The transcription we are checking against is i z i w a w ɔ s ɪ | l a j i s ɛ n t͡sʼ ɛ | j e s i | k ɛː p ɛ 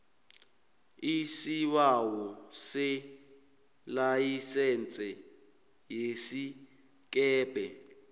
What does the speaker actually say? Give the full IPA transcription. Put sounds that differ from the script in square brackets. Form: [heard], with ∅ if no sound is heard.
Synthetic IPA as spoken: i [s] i w a w ɔ s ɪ | l a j i s ɛ n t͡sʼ ɛ | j e s i | k ɛː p ɛ

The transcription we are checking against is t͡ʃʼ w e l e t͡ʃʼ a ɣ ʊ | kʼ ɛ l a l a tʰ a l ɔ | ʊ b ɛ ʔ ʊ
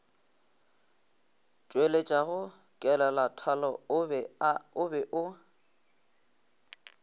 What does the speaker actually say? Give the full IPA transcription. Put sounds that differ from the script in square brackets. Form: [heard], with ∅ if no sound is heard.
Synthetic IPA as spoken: t͡ʃʼ w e l e t͡ʃʼ a ɣ ʊ | kʼ ɛ l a l a tʰ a l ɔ | ʊ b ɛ ʔ ʊ

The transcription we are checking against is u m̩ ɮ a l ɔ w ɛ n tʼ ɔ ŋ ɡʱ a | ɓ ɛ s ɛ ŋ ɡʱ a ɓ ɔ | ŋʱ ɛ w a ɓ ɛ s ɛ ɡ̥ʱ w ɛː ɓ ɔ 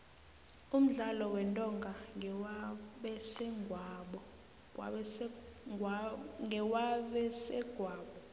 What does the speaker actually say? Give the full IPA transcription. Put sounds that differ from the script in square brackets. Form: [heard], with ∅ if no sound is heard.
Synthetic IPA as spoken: u m̩ ɮ a l ɔ w ɛ n tʼ ɔ ŋ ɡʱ a | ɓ ɛ s ɛ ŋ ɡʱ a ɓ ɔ | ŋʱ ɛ w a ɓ ɛ s ɛ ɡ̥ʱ w [aː] ɓ ɔ

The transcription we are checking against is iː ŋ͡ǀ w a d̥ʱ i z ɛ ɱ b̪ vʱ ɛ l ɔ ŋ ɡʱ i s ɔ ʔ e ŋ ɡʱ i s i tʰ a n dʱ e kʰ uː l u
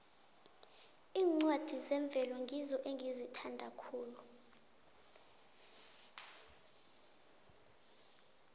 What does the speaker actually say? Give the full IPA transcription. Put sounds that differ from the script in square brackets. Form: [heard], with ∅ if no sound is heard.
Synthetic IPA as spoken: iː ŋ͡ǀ w a d̥ʱ i z ɛ ɱ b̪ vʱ ɛ l ɔ ŋ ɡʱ i [z] ɔ ʔ e ŋ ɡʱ i [z] i tʰ a n dʱ [a] kʰ uː l u

